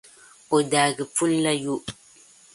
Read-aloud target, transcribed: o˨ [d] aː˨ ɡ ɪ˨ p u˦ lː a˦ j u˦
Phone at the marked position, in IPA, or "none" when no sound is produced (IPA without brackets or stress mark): d